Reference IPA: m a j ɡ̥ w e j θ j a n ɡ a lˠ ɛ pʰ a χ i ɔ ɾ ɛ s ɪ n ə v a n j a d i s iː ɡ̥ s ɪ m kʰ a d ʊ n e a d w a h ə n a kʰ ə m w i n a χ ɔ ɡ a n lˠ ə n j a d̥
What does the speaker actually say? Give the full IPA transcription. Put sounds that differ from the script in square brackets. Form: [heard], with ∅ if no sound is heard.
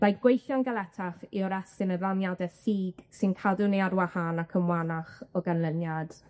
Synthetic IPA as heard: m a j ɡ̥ w e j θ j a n ɡ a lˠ ɛ [tʰ] a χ i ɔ ɾ ɛ s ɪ n ə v a n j a d [ɛ] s iː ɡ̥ s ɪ [n] kʰ a d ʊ n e a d w a h [a] n a kʰ ə m w [a] n a χ ɔ ɡ a n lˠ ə n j a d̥